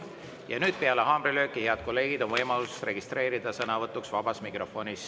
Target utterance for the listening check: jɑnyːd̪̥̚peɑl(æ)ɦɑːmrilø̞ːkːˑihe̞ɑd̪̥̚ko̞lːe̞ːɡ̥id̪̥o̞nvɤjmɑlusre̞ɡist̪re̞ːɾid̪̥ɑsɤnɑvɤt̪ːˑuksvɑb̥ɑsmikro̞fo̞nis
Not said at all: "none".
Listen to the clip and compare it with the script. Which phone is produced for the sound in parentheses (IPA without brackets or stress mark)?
e